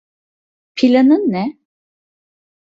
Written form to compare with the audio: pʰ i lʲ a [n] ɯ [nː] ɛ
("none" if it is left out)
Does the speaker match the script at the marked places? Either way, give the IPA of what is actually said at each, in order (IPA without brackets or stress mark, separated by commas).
n, nː